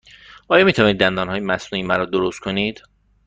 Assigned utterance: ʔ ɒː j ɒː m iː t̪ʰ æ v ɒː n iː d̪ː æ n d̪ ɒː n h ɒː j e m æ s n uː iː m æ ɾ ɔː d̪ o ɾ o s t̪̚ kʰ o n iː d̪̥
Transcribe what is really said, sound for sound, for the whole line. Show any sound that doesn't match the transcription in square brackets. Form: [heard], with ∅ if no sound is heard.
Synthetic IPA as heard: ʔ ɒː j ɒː m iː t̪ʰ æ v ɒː n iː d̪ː æ n d̪ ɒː n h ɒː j e m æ s n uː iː m æ ɾ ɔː d̪ o ɾ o s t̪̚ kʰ o n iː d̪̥